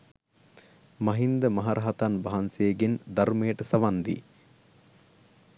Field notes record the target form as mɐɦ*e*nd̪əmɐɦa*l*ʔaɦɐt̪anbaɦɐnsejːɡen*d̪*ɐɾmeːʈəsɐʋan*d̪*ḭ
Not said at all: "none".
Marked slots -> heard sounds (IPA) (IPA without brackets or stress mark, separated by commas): i, ɾ, d̪, d̪